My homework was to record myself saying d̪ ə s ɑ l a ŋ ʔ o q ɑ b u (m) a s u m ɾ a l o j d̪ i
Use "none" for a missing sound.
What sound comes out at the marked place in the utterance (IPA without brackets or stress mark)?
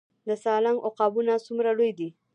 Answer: n